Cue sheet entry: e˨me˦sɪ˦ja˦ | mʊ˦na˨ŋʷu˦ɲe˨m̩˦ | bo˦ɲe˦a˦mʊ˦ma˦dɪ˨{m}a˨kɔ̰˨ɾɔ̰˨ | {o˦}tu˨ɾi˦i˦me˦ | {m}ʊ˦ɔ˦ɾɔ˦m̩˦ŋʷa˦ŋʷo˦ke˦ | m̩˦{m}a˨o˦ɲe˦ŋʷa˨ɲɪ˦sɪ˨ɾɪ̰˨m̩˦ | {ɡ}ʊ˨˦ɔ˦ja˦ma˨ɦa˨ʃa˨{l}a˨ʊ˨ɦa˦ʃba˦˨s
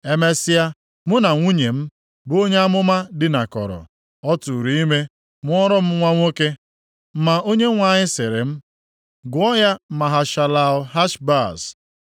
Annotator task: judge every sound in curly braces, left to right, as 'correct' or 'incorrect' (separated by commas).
incorrect, incorrect, correct, correct, correct, correct